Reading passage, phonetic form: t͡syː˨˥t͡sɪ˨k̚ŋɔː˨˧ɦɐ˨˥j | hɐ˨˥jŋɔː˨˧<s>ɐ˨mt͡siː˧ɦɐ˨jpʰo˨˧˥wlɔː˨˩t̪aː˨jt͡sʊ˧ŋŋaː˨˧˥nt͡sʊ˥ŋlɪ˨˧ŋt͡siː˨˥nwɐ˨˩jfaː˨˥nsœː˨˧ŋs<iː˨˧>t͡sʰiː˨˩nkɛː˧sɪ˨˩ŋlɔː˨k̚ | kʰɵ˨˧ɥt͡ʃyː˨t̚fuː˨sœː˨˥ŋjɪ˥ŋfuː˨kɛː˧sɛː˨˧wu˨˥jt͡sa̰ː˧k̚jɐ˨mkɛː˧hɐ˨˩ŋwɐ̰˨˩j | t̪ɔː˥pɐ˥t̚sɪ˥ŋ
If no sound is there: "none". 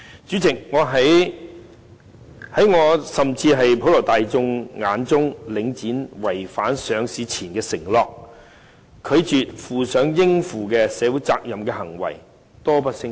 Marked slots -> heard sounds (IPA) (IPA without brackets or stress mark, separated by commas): s, iː˨˧